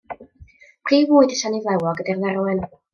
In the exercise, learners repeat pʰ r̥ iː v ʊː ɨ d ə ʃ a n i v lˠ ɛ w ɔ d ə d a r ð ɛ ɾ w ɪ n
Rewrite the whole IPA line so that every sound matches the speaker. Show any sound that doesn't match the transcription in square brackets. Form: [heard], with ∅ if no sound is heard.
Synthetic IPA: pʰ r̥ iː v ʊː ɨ d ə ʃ a n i v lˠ ɛ w ɔ [ɡ] ə d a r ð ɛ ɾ w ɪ n